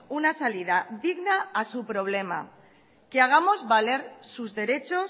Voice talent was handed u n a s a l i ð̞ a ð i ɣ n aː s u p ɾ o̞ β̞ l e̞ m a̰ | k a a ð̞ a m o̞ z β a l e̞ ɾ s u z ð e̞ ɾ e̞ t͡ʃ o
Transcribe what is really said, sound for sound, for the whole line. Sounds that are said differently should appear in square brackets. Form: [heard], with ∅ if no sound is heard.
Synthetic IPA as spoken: u n a s a l i ð̞ a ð i ɣ n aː s u p ɾ o̞ β̞ l e̞ m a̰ | k [e] a [ɣ̞] a m o̞ z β a l e̞ ɾ s u z ð e̞ ɾ e̞ t͡ʃ o